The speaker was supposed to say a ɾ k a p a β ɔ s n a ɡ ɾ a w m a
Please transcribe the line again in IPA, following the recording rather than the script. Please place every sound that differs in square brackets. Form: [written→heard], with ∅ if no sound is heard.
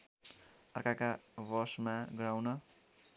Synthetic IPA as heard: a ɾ k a [p→k] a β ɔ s [n→m] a ɡ ɾ a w [m→n] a

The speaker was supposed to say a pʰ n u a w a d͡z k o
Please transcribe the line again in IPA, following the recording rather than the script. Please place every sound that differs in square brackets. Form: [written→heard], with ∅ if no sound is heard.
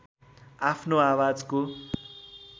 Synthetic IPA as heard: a pʰ n [u→o] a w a d͡z k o

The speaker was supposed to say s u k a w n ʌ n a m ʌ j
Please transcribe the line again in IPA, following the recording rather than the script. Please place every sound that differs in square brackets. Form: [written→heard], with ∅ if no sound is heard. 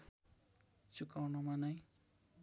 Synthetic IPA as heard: [s→t͡s] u k a w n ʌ [n→m] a [m→n] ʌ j

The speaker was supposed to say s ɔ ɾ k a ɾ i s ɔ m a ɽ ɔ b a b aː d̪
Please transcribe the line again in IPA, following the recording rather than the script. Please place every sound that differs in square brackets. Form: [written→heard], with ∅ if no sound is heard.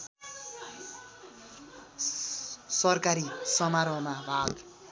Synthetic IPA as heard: s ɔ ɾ k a ɾ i s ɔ m a [ɽ→ɾ] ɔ [b→m] a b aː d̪

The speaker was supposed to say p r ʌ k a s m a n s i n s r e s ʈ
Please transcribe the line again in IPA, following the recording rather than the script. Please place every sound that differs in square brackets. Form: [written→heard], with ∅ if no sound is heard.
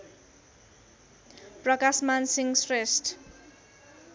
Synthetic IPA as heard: p r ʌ k a s m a n s i [n→ŋ] s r e s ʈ

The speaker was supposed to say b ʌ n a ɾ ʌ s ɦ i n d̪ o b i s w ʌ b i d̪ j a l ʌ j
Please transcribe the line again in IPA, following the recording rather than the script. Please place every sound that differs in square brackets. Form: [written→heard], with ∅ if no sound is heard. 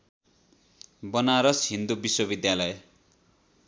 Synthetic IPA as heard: b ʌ n a ɾ ʌ s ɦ i n d̪ [o→u] b i s w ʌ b i d̪ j a l ʌ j

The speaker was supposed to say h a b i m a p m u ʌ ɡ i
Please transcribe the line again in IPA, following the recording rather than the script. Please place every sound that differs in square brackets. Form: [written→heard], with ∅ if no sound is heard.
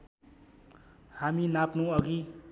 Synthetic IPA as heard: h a [b→m] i [m→n] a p [m→n] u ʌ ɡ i

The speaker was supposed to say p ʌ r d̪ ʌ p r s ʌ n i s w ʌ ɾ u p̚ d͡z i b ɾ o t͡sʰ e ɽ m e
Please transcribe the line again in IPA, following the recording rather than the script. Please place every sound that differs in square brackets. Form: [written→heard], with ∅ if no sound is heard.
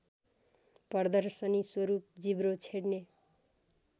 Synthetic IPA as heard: p ʌ r d̪ ʌ [p→∅] r s ʌ n i s w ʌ ɾ u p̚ d͡z i b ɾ o t͡sʰ e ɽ [m→n] e

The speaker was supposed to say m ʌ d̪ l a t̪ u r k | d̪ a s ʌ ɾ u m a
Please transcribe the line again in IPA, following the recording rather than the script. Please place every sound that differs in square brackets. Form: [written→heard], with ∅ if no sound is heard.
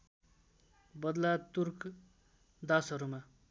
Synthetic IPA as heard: [m→b] ʌ d̪ l a t̪ u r k | d̪ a s ʌ ɾ u m a

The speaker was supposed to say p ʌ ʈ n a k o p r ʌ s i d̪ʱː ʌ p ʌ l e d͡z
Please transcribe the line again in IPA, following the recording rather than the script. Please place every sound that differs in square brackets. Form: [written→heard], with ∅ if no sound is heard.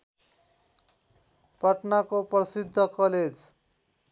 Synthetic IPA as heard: p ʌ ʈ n a k o p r ʌ s i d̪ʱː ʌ [p→k] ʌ l e d͡z

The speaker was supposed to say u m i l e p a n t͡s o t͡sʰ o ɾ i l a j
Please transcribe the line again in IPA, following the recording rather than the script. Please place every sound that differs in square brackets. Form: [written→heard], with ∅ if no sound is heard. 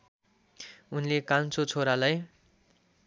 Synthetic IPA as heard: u [m→n] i l e [p→k] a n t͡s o t͡sʰ o ɾ [i→a] l a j

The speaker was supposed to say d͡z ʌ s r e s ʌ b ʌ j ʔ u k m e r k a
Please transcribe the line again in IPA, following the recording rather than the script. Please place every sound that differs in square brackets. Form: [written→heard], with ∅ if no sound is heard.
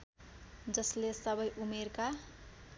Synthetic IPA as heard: d͡z ʌ s [r→l] e s ʌ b ʌ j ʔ u [k→∅] m e r k a

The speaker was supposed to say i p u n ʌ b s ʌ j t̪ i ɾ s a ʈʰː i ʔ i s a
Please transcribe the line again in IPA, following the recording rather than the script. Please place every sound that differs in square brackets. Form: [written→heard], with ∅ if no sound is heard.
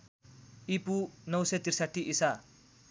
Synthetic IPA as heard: i p u n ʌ [b→w] s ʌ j t̪ i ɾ s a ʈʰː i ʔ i s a

